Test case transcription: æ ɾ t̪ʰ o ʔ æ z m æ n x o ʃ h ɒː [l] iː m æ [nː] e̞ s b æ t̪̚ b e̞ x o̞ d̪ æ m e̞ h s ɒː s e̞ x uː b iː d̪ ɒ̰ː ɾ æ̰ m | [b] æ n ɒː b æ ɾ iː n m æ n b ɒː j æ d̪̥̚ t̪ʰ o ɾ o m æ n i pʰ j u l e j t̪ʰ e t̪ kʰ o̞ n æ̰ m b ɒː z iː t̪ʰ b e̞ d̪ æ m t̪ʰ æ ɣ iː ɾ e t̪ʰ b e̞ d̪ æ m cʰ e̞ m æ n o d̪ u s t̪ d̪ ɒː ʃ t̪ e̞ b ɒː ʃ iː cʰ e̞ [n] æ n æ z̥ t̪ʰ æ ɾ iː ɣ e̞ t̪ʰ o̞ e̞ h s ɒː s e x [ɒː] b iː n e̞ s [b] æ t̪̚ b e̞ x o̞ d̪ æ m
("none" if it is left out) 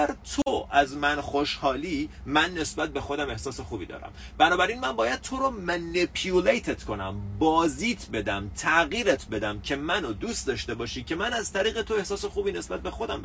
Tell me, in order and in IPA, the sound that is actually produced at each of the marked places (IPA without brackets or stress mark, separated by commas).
l, nː, b, m, uː, b